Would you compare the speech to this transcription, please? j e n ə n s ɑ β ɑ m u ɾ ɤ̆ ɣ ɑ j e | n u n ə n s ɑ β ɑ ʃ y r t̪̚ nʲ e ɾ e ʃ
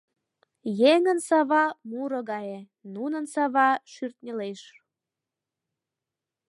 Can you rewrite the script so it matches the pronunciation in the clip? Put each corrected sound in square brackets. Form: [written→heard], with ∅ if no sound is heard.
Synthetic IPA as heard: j e [n→ŋ] ə n s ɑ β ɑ m u ɾ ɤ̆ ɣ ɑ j e | n u n ə n s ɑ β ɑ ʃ y r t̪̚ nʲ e [ɾ→l] e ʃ